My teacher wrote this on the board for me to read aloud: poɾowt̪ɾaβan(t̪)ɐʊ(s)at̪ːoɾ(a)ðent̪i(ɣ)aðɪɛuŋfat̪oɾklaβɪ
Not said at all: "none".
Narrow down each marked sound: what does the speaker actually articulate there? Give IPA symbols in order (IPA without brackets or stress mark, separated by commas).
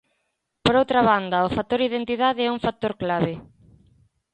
d̪, f, i, ð